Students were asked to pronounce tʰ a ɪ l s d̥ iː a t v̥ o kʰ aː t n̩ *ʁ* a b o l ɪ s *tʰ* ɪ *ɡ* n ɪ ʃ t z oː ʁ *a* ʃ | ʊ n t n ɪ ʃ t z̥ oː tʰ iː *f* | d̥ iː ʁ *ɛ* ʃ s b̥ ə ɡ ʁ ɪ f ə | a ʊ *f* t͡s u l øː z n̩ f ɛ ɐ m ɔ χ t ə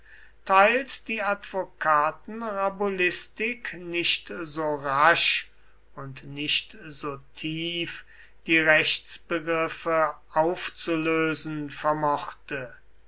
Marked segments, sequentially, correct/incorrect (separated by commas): correct, incorrect, incorrect, correct, correct, correct, correct